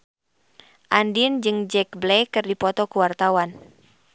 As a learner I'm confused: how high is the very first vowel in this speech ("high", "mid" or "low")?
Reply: low